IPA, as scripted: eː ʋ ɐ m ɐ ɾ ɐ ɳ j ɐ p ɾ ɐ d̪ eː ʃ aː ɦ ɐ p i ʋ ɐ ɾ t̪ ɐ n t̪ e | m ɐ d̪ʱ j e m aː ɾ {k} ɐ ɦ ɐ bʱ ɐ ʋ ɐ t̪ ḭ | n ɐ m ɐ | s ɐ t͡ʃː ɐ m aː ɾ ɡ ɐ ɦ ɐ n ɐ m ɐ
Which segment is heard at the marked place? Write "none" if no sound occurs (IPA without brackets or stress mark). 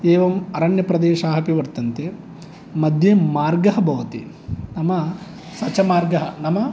ɡ